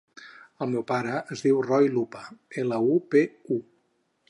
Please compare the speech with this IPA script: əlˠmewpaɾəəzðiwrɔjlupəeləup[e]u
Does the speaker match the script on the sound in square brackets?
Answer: yes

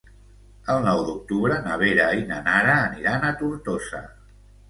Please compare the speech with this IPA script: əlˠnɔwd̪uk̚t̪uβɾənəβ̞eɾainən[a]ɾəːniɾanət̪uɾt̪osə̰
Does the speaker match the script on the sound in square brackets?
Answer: yes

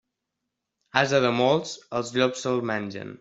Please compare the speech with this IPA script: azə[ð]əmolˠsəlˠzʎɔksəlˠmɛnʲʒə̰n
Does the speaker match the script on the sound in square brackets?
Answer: yes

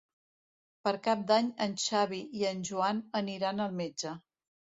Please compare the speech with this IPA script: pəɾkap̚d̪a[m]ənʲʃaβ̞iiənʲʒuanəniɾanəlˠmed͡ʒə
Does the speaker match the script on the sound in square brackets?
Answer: no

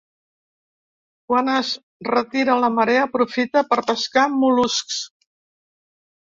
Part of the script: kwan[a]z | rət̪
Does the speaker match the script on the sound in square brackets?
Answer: no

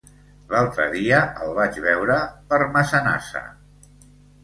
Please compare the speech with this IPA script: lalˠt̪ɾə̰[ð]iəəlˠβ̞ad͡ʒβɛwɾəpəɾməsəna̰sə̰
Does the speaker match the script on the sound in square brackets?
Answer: yes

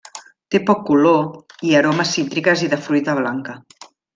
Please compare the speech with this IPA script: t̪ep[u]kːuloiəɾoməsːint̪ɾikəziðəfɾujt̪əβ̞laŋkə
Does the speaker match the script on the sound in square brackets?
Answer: no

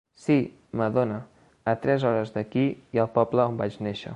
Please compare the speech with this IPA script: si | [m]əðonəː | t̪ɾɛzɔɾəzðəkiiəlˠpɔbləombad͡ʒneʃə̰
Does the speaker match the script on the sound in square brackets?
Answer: yes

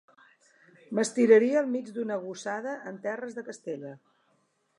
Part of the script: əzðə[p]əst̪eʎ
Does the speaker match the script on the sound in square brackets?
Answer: no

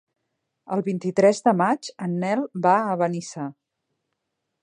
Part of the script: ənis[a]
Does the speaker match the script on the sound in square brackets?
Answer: yes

